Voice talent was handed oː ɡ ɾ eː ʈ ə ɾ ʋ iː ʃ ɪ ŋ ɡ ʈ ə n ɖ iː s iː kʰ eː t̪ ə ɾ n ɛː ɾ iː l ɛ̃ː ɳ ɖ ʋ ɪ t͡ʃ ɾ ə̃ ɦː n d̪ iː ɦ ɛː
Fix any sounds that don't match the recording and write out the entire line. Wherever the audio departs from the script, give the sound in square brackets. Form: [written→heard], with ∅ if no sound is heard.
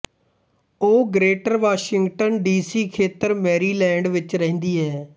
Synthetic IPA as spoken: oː ɡ ɾ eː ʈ ə ɾ ʋ [iː→aː] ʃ ɪ ŋ ɡ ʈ ə n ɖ iː s iː kʰ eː t̪ ə ɾ [n→m] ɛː ɾ iː l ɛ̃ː ɳ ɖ ʋ ɪ t͡ʃ ɾ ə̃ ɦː n d̪ iː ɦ ɛː